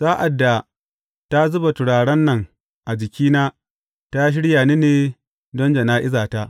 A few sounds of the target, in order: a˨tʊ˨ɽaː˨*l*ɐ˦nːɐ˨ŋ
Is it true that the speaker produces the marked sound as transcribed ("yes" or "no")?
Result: no